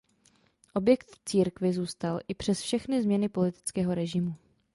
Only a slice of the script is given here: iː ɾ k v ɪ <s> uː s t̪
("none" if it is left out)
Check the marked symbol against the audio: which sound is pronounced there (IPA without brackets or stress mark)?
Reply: z